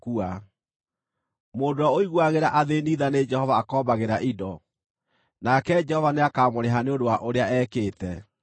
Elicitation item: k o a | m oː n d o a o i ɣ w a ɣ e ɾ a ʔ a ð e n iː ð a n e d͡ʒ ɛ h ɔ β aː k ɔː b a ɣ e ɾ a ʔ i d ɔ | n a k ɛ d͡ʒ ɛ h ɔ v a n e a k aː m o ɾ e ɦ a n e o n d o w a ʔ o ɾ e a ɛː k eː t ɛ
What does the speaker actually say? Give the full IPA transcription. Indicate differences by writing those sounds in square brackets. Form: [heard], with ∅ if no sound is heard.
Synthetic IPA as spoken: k [u] a | m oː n d o a o i ɣ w a ɣ e ɾ a ʔ a ð e n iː ð a n e d͡ʒ ɛ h ɔ [v] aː k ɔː b a ɣ e ɾ a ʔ i d ɔ | n a k ɛ d͡ʒ ɛ h ɔ v a n e a k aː m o ɾ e ɦ a n e o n d o w a ʔ o ɾ e a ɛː k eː t ɛ